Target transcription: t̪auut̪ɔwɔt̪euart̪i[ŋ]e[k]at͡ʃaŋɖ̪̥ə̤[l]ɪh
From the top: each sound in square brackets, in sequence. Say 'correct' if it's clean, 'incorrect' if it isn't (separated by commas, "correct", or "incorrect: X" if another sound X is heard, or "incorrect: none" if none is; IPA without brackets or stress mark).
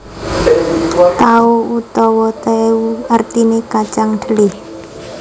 incorrect: n, correct, correct